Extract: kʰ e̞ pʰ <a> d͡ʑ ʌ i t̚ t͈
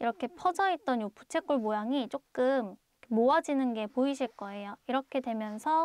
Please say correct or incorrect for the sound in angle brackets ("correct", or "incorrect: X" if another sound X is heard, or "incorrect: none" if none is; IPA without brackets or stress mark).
incorrect: ʌ